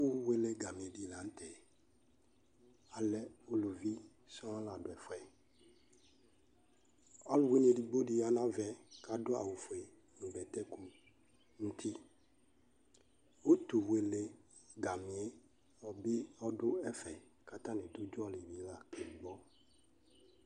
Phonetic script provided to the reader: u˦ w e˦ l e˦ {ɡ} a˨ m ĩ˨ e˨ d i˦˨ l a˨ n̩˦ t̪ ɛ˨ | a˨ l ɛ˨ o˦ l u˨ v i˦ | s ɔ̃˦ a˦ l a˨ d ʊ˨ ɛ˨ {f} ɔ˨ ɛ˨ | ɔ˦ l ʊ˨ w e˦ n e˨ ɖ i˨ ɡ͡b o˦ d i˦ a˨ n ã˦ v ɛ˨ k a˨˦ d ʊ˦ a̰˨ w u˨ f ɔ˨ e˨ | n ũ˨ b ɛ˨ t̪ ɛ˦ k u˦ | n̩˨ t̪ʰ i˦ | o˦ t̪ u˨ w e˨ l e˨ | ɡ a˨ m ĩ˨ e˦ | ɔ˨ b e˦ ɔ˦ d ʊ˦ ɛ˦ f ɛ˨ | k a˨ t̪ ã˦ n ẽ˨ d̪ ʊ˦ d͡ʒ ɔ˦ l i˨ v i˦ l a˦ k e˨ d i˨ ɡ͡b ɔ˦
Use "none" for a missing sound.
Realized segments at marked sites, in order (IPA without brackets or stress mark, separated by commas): ɡ, f